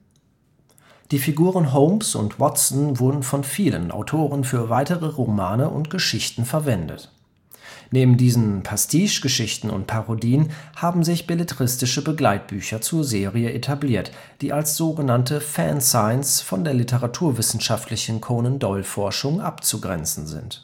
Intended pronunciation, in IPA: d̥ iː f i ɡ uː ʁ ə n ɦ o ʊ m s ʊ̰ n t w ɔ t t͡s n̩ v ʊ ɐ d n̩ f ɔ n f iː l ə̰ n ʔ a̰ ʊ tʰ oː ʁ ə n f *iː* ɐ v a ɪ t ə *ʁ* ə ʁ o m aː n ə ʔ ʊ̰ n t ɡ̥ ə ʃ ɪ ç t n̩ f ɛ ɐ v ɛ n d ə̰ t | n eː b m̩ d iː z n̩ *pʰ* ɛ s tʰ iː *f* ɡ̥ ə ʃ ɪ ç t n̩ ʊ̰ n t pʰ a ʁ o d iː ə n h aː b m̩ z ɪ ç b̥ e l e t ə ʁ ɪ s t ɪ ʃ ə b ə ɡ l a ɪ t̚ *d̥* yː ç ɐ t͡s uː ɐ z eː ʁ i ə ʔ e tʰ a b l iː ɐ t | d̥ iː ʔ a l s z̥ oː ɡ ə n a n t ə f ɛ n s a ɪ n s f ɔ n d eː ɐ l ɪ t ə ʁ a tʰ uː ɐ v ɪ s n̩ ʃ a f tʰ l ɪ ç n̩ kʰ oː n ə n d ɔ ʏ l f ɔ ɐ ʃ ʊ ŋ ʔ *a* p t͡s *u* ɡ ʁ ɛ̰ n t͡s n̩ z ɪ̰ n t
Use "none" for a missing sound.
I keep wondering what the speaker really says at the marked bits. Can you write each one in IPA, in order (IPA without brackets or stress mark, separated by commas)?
yː, ʁ, pʰ, ʃ, b̥, a, u